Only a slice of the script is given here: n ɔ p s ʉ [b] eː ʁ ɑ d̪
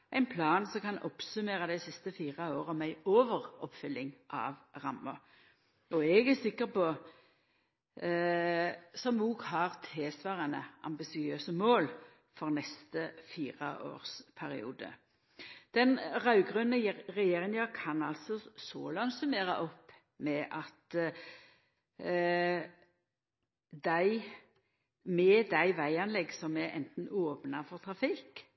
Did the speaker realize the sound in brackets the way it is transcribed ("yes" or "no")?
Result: no